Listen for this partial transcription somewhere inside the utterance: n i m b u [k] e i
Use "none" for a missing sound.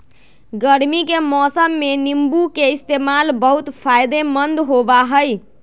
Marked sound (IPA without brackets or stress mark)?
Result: k